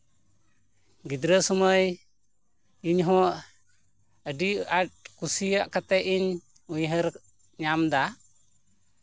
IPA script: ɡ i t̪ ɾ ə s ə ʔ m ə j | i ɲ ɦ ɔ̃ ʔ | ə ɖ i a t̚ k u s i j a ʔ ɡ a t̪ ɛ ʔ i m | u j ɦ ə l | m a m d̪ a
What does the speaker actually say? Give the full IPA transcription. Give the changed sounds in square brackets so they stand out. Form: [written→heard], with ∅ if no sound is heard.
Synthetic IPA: ɡ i [t̪→d̪] ɾ ə s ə [ʔ→∅] m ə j | i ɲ ɦ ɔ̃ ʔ | ə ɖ i a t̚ k u s i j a ʔ [ɡ→k] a t̪ ɛ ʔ i [m→ɲ] | u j ɦ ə [l→ɾ] | [m→ɲ] a m d̪ a

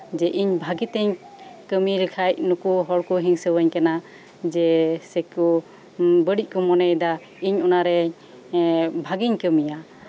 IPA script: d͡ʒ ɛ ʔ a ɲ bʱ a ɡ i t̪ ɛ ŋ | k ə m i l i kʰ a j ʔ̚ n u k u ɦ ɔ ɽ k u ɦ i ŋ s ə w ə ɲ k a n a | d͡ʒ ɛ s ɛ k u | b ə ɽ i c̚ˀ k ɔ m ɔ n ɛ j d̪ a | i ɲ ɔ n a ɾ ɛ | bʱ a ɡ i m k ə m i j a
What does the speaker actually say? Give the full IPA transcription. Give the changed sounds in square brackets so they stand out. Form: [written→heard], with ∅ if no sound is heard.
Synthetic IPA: d͡ʒ ɛ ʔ [a→i] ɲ bʱ a ɡ i t̪ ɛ [ŋ→ɲ] | k ə m i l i kʰ a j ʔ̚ n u k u ɦ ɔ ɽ k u ɦ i ŋ s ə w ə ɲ k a n a | d͡ʒ ɛ s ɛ k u | b ə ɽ i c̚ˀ k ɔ m ɔ n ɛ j d̪ a | i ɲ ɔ n a ɾ ɛ | bʱ a ɡ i [m→ɲ] k ə m i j a

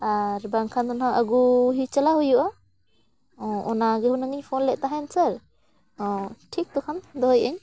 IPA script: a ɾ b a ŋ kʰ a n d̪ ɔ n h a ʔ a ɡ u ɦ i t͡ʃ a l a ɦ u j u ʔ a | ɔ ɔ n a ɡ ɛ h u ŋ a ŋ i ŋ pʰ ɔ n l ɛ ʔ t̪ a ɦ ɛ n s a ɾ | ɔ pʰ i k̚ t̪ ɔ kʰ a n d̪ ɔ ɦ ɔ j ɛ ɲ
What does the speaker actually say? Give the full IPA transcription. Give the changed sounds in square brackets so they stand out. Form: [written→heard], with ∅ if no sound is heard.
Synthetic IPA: a ɾ b a ŋ kʰ a n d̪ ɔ n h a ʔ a ɡ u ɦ i t͡ʃ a l a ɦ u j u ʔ a | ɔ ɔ n a ɡ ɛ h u [ŋ→n] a ŋ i [ŋ→ɲ] pʰ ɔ n l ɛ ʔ t̪ a ɦ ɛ n s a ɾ | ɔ [pʰ→ʈʰ] i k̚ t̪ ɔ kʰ a n d̪ ɔ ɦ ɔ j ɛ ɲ

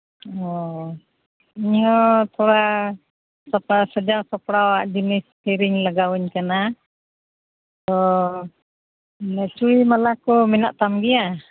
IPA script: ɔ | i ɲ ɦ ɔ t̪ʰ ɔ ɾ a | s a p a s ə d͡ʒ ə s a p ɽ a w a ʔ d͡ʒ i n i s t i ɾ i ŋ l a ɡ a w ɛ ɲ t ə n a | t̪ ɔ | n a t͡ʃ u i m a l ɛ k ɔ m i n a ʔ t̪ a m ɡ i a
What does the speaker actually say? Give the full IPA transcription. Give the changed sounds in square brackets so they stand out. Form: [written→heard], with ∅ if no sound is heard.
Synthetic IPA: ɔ | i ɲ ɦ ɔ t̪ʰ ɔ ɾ a | s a p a s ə d͡ʒ [ə→a] s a p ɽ a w a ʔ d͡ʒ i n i s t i ɾ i ŋ l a ɡ a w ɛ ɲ [t→k] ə n a | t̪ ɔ | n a t͡ʃ u i m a l [ɛ→a] k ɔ m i n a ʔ t̪ a m ɡ i a

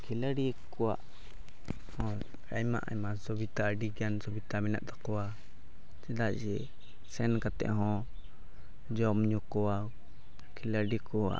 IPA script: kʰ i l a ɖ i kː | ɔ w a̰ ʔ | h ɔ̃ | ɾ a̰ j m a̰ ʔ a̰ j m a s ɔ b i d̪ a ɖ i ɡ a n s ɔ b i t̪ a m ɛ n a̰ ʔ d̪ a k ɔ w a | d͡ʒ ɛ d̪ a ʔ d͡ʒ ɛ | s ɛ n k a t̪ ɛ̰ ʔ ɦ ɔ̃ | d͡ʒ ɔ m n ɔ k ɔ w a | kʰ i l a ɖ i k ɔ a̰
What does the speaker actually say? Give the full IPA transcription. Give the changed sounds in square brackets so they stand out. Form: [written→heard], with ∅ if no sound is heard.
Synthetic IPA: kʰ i l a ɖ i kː | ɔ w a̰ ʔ | h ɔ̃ | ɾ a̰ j m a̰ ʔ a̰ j m a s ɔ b i [d̪→t̪] a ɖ i ɡ a n s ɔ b i t̪ a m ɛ n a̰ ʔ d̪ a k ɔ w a | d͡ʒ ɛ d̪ a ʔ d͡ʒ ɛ | s ɛ n k a t̪ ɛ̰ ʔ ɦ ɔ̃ | d͡ʒ ɔ m [n→ɲ] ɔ k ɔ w a | kʰ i l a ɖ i k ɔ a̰

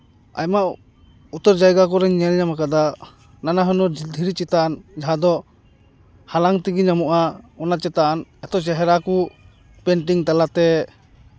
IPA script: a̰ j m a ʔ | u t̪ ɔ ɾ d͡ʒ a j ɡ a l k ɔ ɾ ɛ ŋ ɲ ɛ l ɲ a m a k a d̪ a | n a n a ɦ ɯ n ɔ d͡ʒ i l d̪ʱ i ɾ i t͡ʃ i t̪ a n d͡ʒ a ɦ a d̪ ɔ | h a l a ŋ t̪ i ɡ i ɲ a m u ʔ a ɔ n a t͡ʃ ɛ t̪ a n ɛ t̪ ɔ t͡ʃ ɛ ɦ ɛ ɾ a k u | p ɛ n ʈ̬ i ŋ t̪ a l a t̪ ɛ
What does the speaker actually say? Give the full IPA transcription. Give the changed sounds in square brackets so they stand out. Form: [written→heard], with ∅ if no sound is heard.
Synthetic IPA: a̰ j m a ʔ | u t̪ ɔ ɾ d͡ʒ a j ɡ a [l→∅] k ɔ ɾ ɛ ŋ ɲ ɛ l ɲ a m a k a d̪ a | n a n a ɦ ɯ n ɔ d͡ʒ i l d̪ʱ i ɾ i t͡ʃ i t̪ a n d͡ʒ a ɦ a d̪ ɔ | h a l a ŋ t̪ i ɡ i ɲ a m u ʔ a ɔ n a t͡ʃ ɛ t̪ a n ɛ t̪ ɔ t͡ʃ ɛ ɦ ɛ ɾ a k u | p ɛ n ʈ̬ i ŋ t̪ a l a t̪ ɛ

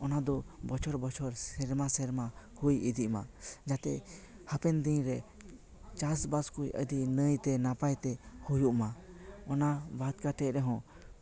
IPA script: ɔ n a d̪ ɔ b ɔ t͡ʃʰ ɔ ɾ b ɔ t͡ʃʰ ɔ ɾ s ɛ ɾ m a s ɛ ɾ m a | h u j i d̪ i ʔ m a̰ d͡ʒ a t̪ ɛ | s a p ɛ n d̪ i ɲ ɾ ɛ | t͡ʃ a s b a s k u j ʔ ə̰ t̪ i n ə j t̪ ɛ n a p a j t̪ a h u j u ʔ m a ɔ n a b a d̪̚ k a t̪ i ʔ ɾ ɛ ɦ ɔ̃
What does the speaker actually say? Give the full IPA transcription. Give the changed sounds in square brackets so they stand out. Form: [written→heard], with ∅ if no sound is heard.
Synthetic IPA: ɔ n a d̪ ɔ b ɔ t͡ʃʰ ɔ ɾ b ɔ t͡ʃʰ ɔ ɾ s ɛ ɾ m a s ɛ ɾ m a | h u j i d̪ i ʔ m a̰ d͡ʒ a t̪ ɛ | [s→h] a p ɛ n d̪ i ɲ ɾ ɛ | t͡ʃ a s b a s k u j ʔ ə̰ [t̪→d̪] i n ə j t̪ ɛ n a p a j t̪ [a→ɛ] h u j u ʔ m a ɔ n a b a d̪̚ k a t̪ [i→ɛ] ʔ ɾ ɛ ɦ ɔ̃

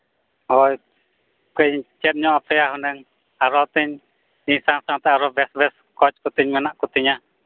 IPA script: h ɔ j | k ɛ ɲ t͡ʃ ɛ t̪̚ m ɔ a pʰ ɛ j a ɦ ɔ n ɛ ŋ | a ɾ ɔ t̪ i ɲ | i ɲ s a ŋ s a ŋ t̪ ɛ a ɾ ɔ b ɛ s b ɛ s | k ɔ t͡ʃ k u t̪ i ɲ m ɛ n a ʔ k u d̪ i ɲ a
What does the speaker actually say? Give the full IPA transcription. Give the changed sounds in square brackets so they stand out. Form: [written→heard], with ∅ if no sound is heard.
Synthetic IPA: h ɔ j | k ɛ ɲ t͡ʃ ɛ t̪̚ [m→ɲ] ɔ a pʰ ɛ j a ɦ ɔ n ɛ ŋ | a ɾ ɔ t̪ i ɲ | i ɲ s a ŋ s a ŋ t̪ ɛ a ɾ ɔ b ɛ s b ɛ s | k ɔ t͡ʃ k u t̪ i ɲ m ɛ n a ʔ k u [d̪→t̪] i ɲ a

